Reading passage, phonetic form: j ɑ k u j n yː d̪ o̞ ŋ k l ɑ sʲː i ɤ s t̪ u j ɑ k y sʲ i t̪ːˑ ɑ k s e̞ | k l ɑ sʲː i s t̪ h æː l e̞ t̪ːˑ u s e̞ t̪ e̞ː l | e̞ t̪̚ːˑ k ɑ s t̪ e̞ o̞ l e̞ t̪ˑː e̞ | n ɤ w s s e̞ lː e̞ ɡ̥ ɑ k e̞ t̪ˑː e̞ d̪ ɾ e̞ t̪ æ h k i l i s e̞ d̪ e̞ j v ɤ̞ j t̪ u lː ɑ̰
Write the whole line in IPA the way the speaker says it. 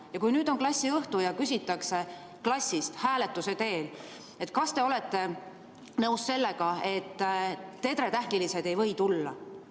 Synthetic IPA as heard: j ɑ k u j n yː d̪ o̞ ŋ k l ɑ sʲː i ɤ h t̪ u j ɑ k y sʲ i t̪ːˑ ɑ k s e̞ | k l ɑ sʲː i s t̪ h æː l e̞ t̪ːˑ u s e̞ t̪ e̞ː l | e̞ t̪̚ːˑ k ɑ s t̪ e̞ o̞ l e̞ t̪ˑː e̞ | n ɤ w s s e̞ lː e̞ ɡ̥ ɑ e̞ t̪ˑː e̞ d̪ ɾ e̞ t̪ æ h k i l i s e̞ d̪ e̞ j v ɤ̞ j t̪ u lː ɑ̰